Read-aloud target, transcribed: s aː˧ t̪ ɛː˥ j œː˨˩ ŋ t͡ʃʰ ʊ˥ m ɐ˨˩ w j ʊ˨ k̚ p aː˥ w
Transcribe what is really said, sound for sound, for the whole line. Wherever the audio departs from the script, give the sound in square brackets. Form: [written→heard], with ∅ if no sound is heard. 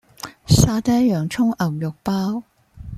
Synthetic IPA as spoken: s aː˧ t̪ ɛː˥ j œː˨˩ ŋ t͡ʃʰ ʊ˥ [m→ŋ] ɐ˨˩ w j ʊ˨ k̚ p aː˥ w